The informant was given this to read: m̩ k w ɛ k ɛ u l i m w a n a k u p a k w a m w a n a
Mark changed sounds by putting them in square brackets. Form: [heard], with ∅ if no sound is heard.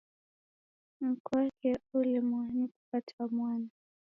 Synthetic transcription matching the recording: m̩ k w [a] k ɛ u l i m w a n [i] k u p a [t] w a m w a n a

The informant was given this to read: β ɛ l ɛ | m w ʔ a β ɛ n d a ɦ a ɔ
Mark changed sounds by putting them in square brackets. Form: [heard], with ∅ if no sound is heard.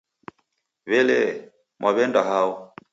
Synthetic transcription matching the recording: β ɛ l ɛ | m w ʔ a β ɛ n d a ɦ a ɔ

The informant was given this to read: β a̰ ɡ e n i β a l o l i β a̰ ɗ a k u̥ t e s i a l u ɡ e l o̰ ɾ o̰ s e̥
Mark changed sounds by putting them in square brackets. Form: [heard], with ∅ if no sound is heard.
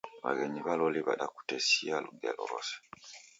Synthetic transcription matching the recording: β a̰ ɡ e [ɲ] i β a l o l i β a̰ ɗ a k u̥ t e s i a l u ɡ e l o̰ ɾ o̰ s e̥

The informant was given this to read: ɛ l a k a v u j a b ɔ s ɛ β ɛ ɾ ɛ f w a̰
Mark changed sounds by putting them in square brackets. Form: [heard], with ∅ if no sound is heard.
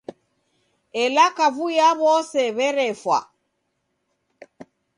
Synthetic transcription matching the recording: ɛ l a k a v u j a [β] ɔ s ɛ β ɛ ɾ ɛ f w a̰

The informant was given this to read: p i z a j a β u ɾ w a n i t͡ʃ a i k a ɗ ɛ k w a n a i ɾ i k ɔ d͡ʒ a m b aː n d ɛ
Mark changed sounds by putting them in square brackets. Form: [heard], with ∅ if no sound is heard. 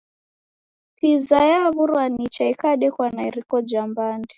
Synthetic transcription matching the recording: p i z a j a β u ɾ w a n i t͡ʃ a i k a ɗ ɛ k w a n a i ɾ i k ɔ d͡ʒ a m b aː n d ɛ

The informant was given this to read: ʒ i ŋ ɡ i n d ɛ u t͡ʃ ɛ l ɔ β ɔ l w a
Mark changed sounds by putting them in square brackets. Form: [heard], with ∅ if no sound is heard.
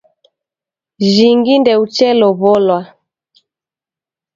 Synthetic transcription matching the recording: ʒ i ŋ ɡ i n d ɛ u t͡ʃ ɛ l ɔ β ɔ l w a

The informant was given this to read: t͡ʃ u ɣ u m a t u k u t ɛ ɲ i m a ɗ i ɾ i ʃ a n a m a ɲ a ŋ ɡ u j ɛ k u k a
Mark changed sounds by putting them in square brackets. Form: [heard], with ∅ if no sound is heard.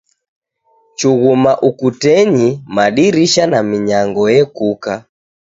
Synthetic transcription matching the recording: t͡ʃ u ɣ u m a [ʔ] u k u t ɛ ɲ i m a ɗ i ɾ i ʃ a n a m [i] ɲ a ŋ ɡ [ɔ] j ɛ k u k a

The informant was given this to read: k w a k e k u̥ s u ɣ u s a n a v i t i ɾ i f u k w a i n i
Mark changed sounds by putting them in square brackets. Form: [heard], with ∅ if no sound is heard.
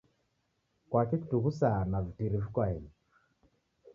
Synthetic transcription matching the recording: k w a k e k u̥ [t] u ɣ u s a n a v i t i ɾ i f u k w a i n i

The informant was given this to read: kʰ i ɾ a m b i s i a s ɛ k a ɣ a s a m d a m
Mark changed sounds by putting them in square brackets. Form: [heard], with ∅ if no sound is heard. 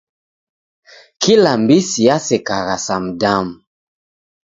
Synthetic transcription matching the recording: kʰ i [l] a m b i s i a s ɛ k a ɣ a s a m d a m

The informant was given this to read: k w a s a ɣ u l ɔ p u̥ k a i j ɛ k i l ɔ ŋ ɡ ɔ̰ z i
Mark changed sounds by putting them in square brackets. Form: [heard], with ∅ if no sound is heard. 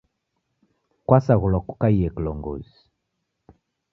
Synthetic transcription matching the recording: k w a s a ɣ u l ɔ [k] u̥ k a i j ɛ k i l ɔ ŋ ɡ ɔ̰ z i

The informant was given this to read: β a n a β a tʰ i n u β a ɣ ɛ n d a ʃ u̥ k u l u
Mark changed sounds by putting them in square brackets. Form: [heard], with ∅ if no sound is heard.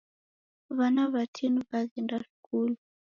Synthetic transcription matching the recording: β a n a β a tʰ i n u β a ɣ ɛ n d a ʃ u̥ k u l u

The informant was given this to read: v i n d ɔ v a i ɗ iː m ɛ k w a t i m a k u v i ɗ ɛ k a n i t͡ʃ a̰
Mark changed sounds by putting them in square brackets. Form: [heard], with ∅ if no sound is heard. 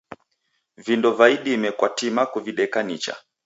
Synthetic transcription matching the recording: v i n d ɔ v a i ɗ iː m ɛ k w a t i m a k u v i ɗ ɛ k a n i t͡ʃ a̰

